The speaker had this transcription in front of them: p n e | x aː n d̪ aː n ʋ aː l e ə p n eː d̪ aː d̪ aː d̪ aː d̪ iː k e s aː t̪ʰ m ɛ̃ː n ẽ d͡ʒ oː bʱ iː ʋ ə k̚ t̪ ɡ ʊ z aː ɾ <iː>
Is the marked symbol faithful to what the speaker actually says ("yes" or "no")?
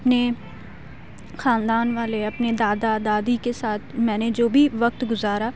no